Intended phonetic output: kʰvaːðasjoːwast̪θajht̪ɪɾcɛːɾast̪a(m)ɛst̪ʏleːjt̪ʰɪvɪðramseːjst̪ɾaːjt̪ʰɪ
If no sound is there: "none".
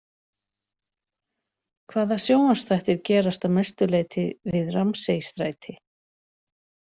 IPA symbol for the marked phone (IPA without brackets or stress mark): m